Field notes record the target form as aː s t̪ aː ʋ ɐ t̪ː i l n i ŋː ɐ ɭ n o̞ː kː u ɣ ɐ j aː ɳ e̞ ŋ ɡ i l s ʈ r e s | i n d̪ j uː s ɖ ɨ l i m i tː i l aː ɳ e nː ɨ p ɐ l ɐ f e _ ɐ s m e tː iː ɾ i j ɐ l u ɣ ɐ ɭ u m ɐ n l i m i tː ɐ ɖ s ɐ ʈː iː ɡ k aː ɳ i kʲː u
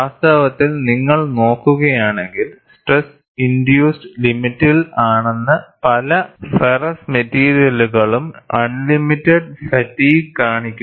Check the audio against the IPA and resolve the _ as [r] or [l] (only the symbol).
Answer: r